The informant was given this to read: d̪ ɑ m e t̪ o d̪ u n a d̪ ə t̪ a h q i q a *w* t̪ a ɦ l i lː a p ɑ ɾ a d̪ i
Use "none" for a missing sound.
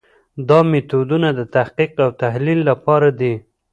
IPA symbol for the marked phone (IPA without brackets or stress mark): w